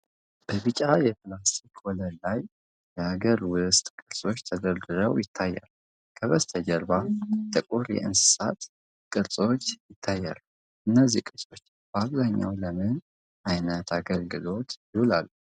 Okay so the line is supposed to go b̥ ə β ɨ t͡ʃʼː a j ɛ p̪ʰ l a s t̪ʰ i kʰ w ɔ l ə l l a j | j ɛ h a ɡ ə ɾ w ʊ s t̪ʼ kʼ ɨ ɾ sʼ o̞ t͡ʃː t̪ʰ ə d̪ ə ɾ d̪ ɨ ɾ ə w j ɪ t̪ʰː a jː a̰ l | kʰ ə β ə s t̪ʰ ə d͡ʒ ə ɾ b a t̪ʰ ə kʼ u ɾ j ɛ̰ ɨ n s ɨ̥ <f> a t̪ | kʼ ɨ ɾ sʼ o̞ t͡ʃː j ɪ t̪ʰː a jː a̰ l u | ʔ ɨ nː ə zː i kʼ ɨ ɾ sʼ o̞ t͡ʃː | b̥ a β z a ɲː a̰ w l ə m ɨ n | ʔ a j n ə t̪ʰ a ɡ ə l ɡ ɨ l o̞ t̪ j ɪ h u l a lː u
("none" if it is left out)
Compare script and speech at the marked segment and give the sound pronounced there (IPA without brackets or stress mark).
s